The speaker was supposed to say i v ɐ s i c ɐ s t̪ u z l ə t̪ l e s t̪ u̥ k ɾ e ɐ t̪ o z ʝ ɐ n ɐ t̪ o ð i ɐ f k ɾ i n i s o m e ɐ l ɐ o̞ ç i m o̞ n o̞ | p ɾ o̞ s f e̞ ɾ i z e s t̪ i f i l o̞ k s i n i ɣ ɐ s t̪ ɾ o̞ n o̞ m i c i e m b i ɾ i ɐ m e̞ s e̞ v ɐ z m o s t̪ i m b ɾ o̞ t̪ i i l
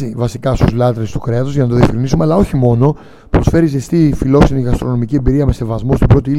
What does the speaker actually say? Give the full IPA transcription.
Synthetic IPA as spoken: i v ɐ s i k ɐ s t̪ u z l ɐ t̪ ɾ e s t̪ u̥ k ɾ e ɐ t̪ o z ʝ ɐ n ɐ t̪ o ð i ɐ f k ɾ i n i s u m e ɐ l ɐ o̞ ç i m o̞ n o̞ | p ɾ o̞ s f e̞ ɾ i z e s t̪ i f i l o̞ k s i n i ɣ ɐ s t̪ ɾ o̞ n o̞ m i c i e m b i ɾ i ɐ m e̞ s e̞ v ɐ z m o s t̪ i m b ɾ o̞ t̪ i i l